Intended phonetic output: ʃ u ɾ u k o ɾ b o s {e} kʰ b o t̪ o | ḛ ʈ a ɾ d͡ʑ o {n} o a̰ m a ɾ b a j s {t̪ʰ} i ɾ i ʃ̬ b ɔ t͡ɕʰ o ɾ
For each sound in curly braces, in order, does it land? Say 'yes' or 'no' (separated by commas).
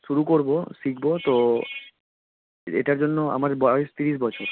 no, no, no